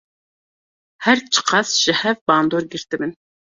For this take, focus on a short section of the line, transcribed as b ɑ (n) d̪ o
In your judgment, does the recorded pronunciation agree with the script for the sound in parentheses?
yes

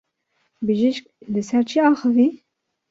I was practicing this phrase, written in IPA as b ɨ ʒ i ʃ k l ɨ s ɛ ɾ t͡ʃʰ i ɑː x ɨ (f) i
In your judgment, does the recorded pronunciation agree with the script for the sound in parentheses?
no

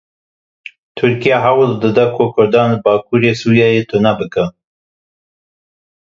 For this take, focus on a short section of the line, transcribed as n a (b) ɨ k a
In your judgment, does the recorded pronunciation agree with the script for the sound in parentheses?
yes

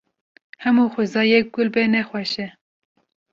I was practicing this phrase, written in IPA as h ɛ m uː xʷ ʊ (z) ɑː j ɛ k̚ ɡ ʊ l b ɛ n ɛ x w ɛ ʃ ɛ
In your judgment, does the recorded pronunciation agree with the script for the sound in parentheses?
yes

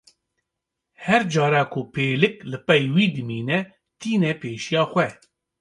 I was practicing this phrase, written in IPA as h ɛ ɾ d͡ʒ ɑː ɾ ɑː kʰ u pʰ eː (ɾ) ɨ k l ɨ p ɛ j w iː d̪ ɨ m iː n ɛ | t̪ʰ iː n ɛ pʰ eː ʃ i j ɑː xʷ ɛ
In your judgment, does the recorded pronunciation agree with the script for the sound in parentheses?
no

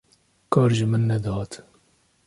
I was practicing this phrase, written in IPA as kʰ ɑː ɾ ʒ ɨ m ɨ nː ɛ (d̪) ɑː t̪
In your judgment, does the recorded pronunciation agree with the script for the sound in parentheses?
yes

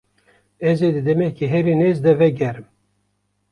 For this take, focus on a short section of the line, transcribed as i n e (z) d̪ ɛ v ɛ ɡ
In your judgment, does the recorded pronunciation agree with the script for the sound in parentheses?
yes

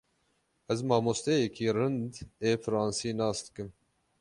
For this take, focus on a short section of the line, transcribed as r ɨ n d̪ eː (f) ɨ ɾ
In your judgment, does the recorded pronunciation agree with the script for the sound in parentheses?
yes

